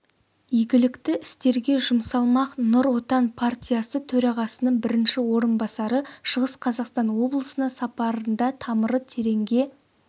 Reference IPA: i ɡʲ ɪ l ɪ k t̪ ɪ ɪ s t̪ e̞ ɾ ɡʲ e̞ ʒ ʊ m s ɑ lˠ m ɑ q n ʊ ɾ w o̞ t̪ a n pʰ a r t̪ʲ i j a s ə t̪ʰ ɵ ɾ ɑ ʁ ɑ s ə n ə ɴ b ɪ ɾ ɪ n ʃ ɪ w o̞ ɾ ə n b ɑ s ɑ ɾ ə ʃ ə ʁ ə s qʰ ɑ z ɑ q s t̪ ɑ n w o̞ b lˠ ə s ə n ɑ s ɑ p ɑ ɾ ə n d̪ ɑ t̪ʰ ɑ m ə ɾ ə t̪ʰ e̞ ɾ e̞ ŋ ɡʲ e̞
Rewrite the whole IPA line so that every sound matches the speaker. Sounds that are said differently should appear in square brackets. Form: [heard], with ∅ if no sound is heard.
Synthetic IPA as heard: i ɡʲ ɪ l ɪ k t̪ ɪ ɪ s t̪ e̞ ɾ ɡʲ e̞ ʒ ʊ m s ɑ lˠ m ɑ q n ʊ ɾ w o̞ t̪ [ɑ] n pʰ a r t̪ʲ i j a s ə t̪ʰ ɵ ɾ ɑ ʁ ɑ s ə n ə ɴ b ɪ ɾ ɪ n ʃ ɪ w o̞ ɾ ə n b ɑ s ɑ ɾ ə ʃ ə ʁ ə s qʰ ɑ z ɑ q s t̪ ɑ n w o̞ b lˠ ə s ə n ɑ s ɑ p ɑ ɾ ə n d̪ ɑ t̪ʰ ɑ m ə ɾ ə t̪ʰ e̞ ɾ e̞ ŋ ɡʲ e̞

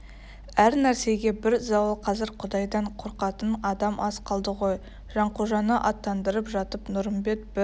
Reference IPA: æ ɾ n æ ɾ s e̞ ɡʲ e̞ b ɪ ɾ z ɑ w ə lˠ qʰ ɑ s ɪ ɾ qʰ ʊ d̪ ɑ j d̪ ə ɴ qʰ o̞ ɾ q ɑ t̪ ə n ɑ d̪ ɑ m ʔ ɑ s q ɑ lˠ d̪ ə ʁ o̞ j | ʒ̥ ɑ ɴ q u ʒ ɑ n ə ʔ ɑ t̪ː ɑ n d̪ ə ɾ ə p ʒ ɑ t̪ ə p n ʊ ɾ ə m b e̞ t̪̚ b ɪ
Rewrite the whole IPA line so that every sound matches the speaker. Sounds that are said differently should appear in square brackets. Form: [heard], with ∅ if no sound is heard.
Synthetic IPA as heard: æ ɾ n æ ɾ s e̞ ɡʲ e̞ b ɪ ɾ z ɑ w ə lˠ qʰ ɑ [z] ɪ ɾ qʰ ʊ d̪ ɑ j d̪ [ɑ] ɴ qʰ o̞ ɾ q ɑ t̪ ə n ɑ d̪ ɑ m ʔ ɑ s q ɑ lˠ d̪ ə ʁ o̞ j | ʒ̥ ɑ ɴ q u ʒ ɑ n ə ʔ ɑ t̪ː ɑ n d̪ ə ɾ ə p ʒ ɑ t̪ ə p n ʊ ɾ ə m b e̞ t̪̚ b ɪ

